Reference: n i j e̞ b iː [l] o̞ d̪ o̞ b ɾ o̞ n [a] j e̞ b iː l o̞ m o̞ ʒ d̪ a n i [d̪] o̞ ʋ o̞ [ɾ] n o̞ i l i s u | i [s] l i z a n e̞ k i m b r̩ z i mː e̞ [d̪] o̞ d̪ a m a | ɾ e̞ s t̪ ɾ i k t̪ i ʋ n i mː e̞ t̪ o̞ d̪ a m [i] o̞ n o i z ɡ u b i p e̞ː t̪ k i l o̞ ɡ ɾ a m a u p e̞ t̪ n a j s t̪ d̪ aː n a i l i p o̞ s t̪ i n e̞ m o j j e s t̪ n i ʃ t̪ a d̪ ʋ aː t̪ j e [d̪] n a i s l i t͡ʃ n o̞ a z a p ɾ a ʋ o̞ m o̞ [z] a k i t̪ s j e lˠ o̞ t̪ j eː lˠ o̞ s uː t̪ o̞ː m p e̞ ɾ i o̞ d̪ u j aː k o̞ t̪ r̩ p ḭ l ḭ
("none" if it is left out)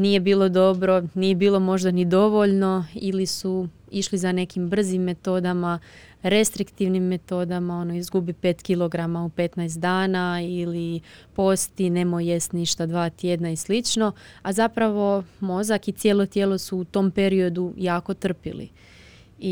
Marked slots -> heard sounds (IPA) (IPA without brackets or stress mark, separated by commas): l, i, d̪, ʎ, ʃ, t̪, a, d̪, z